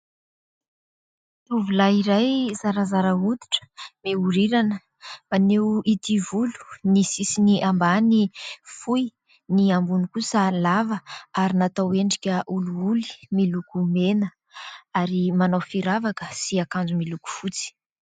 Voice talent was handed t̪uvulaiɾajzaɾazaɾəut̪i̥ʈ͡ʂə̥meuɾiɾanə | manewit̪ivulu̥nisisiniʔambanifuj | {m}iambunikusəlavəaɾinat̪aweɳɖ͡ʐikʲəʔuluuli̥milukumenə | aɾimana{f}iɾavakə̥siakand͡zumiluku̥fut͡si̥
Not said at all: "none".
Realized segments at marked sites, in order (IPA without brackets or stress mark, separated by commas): n, f